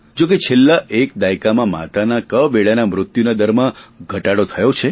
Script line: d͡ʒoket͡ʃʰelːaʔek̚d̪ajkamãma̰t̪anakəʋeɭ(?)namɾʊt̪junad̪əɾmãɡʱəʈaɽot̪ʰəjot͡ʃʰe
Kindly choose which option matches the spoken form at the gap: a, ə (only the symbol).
a